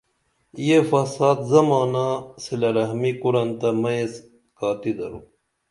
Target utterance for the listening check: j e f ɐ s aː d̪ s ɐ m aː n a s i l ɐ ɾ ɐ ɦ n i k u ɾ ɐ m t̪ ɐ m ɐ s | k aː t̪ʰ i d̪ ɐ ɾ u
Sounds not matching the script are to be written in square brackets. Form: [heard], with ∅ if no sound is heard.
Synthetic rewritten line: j e f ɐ s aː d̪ [z] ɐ m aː n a s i l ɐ ɾ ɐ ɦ [m] i k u ɾ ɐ [n] t̪ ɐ m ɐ s | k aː [t̪] i d̪ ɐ ɾ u